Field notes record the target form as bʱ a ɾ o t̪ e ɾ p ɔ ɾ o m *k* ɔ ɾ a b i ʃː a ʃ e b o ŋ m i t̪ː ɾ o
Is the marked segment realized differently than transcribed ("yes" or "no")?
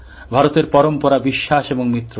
yes